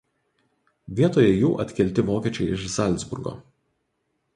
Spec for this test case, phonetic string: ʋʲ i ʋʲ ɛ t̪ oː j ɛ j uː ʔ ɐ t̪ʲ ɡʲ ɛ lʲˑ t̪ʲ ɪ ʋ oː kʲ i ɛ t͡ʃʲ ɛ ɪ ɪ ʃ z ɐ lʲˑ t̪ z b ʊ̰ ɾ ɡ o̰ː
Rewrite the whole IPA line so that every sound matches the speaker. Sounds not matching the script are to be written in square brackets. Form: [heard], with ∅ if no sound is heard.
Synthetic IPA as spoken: ʋʲ i [∅] ɛ t̪ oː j ɛ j uː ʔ ɐ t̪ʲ [kʲ] ɛ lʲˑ t̪ʲ ɪ ʋ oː kʲ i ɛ t͡ʃʲ ɛ ɪ ɪ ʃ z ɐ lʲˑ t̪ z b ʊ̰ ɾ ɡ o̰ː

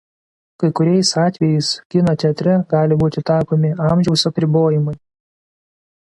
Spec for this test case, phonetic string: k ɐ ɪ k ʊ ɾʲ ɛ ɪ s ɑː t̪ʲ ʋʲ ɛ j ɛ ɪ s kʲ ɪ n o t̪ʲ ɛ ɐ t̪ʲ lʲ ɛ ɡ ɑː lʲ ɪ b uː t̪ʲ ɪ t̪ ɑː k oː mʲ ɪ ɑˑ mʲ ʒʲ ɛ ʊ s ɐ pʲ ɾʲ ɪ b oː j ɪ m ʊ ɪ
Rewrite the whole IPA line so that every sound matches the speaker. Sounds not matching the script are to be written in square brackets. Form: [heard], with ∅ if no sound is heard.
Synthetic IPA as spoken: k ɐ ɪ k ʊ ɾʲ ɛ ɪ s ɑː t̪ʲ ʋʲ ɛ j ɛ ɪ s kʲ ɪ n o t̪ʲ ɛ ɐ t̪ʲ [ɾʲ] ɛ ɡ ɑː lʲ ɪ b uː t̪ʲ ɪ t̪ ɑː k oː mʲ ɪ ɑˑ mʲ ʒʲ ɛ ʊ s ɐ pʲ ɾʲ ɪ b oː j ɪ m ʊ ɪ

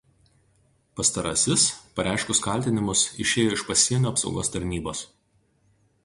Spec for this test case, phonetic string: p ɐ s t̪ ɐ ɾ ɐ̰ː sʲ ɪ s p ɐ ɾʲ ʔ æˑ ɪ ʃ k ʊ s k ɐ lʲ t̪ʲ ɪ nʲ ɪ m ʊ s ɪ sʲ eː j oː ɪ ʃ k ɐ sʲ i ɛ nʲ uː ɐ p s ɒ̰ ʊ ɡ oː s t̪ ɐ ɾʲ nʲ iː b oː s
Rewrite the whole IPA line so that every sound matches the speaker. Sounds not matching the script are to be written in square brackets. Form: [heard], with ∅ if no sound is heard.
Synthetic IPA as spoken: p ɐ s t̪ ɐ ɾ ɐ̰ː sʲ ɪ s p ɐ ɾʲ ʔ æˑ ɪ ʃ k ʊ s k ɐ lʲ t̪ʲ ɪ nʲ ɪ m ʊ s ɪ [ʃʲ] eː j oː ɪ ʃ [p] ɐ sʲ i ɛ nʲ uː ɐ p s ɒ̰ ʊ ɡ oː s t̪ ɐ ɾʲ nʲ iː b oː s

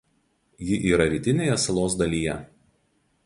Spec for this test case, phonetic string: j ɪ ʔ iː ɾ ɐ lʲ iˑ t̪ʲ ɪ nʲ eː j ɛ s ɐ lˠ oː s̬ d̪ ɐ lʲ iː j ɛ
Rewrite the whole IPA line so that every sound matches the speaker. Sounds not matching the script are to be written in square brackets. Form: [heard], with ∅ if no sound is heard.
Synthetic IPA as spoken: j ɪ ʔ iː ɾ ɐ [ɾʲ] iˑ t̪ʲ ɪ nʲ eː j ɛ s ɐ lˠ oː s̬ d̪ ɐ lʲ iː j ɛ

